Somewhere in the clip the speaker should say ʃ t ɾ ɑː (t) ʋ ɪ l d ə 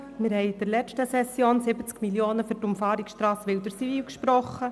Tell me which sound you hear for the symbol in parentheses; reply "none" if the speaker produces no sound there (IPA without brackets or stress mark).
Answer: s